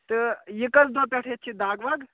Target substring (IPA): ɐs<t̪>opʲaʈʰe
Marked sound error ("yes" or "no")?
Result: yes